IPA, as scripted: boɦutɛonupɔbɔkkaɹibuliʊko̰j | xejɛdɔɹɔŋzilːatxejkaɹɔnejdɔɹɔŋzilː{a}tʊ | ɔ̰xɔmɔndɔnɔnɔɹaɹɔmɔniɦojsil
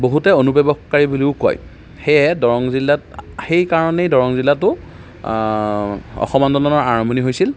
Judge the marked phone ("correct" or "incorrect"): correct